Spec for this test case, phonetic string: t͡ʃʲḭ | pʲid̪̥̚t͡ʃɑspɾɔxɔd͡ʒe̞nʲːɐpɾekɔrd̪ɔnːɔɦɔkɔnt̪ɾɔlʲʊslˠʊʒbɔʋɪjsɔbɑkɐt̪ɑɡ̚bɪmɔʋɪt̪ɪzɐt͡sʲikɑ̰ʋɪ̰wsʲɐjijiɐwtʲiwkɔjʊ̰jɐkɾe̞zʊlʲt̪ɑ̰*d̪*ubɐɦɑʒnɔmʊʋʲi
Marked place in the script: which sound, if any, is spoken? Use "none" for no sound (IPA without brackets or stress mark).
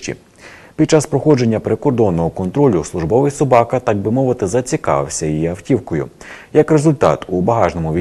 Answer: t̪